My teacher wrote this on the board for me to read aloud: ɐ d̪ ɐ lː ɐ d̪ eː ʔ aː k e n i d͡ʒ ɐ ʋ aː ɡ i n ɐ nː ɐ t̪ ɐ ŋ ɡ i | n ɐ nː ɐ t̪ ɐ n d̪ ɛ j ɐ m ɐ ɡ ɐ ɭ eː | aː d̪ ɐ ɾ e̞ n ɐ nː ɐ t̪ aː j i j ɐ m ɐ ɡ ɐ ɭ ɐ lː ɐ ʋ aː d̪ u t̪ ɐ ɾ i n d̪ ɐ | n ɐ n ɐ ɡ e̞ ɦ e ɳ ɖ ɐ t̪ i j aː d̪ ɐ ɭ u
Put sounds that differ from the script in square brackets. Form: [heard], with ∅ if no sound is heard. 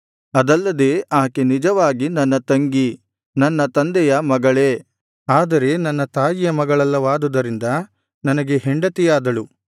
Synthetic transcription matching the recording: ɐ d̪ ɐ lː ɐ d̪ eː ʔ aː k e n i d͡ʒ ɐ ʋ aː ɡ i n ɐ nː ɐ t̪ ɐ ŋ ɡ i | n ɐ nː ɐ t̪ ɐ n d̪ ɛ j ɐ m ɐ ɡ ɐ ɭ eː | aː d̪ ɐ ɾ e̞ n ɐ nː ɐ t̪ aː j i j ɐ m ɐ ɡ ɐ ɭ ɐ lː ɐ ʋ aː d̪ u [d̪] ɐ ɾ i n d̪ ɐ | n ɐ n ɐ ɡ e̞ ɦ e ɳ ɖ ɐ t̪ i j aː d̪ ɐ ɭ u